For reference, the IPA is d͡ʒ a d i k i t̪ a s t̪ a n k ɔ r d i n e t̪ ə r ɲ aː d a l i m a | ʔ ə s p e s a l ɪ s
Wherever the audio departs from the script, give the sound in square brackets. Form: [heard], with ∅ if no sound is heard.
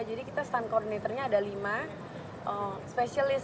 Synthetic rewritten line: d͡ʒ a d i k i t̪ a s t̪ a n k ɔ r d i n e t̪ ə r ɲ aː d a l i m a | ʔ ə s p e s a l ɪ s